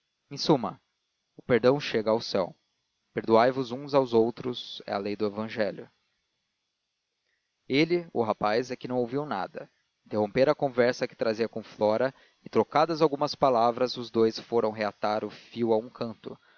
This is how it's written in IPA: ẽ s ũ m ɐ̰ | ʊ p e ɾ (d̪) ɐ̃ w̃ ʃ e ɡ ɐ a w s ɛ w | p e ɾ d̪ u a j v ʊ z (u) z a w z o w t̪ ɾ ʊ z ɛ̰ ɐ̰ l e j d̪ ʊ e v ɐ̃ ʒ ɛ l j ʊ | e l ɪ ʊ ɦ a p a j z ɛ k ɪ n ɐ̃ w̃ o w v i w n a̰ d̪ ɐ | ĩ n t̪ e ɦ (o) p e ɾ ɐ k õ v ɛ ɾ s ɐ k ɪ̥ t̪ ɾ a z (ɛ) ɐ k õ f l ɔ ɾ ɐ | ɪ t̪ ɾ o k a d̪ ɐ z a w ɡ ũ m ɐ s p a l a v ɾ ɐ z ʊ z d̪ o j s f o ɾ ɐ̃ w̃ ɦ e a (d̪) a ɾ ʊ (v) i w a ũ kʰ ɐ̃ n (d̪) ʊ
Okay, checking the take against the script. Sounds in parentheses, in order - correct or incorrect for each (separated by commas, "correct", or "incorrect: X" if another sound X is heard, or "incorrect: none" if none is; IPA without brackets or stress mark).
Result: correct, incorrect: ũ, incorrect: õ, incorrect: i, incorrect: t̪, incorrect: f, incorrect: t̪